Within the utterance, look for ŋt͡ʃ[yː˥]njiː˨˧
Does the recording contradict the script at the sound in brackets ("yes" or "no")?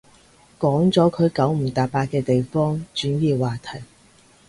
yes